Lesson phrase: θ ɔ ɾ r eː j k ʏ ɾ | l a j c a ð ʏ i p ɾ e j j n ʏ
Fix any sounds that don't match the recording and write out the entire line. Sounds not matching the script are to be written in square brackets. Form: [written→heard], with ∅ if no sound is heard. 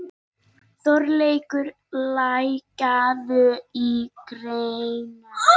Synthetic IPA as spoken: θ ɔ ɾ [r→l] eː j k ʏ ɾ | l a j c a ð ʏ i [p→k] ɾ e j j n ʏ